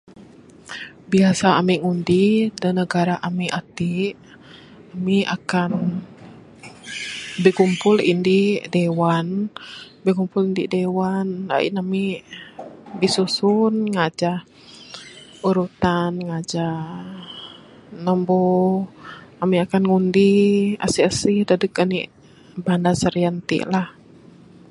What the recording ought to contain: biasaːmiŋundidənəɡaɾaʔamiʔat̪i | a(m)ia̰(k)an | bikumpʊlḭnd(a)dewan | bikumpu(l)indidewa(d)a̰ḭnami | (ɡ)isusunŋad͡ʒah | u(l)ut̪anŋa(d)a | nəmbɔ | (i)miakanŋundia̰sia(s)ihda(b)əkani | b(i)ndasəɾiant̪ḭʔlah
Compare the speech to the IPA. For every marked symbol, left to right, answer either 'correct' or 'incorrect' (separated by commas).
correct, correct, incorrect, correct, incorrect, incorrect, incorrect, incorrect, incorrect, correct, incorrect, incorrect